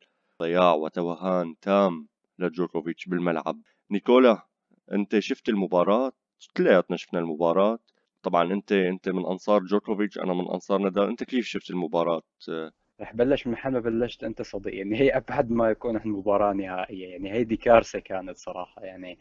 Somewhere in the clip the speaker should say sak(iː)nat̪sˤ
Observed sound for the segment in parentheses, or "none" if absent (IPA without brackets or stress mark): aː